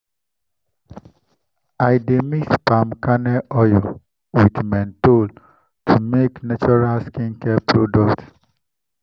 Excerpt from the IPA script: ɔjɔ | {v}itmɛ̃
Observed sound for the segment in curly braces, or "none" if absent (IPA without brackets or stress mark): w